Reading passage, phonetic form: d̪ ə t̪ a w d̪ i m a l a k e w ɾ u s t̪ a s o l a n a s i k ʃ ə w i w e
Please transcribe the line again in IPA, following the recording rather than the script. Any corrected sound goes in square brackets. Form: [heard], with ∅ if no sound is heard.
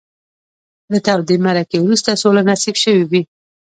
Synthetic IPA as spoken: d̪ ə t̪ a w d̪ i m a [ɾ] a k e w ɾ u s t̪ a s o l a n a s i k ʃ ə w i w [i]